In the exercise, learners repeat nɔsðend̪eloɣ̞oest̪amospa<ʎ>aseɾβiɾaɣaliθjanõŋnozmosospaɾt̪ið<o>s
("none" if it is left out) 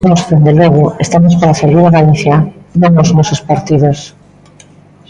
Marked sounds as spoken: ɾ, o

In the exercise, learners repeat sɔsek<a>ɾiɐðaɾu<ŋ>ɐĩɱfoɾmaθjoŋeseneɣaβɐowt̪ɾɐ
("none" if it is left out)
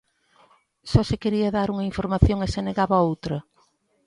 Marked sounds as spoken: e, ŋ

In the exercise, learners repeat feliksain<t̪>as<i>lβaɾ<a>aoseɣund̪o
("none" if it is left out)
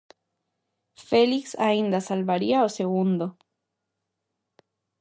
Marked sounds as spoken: d̪, a, i

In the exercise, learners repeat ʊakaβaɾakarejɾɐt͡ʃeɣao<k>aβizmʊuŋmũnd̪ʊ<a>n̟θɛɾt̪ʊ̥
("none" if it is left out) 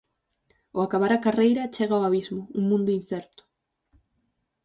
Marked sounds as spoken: none, i

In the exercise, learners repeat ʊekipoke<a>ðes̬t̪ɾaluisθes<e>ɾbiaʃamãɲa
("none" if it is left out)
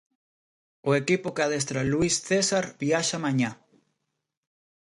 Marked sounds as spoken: a, a

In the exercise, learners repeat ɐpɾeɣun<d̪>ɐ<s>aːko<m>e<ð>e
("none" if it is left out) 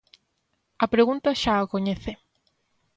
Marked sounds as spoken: t̪, ʃ, ɲ, θ

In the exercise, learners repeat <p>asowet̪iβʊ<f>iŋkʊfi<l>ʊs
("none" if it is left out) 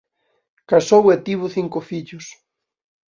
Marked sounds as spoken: k, θ, ʎ

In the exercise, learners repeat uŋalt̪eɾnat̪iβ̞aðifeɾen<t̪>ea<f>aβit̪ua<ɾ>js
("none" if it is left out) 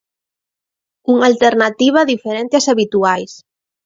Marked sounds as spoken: t̪, s, none

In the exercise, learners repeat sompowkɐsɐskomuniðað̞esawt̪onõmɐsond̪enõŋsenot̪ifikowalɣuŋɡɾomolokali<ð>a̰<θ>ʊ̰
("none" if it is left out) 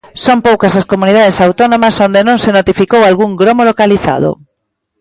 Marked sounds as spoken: θ, ð

